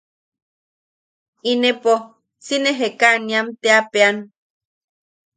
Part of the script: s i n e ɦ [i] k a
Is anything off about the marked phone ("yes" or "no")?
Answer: yes